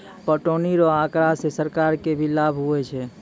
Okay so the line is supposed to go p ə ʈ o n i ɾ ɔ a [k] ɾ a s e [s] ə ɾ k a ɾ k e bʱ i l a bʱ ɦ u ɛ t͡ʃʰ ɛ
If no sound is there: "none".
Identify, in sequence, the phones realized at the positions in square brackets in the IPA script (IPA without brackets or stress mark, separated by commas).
k, s